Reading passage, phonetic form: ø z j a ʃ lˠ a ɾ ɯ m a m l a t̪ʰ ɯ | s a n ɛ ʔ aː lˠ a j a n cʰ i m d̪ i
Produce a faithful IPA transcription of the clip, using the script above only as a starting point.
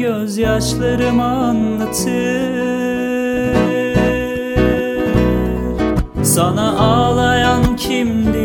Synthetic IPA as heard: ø z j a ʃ lˠ a ɾ ɯ m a n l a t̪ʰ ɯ | s a n a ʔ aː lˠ a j a n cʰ i m d̪ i